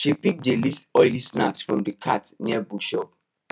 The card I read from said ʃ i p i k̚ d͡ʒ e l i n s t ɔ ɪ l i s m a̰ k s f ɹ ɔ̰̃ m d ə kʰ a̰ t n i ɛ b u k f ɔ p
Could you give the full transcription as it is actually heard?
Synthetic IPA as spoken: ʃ i p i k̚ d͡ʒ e l i s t ɔ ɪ l i s n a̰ k s f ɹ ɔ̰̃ m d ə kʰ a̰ t n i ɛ b u k ʃ ɔ p